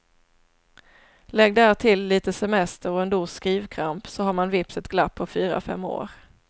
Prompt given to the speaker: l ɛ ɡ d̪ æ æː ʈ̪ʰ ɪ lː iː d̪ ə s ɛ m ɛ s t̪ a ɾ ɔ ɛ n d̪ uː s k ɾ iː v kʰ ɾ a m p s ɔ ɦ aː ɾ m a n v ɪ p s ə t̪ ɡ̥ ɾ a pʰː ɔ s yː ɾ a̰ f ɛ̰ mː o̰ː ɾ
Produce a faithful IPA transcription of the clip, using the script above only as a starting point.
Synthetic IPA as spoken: l ɛ ɡ d̪ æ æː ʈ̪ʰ ɪ lː iː t̪ ə s ɛ m ɛ s t̪ ə ɾ ɔ ɛ n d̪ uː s k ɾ iː v kʰ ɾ a m p s ɔ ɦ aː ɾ m a n v ɪ p s ə t̪ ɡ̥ l a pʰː ɔ f yː ɾ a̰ f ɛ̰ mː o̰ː ɾ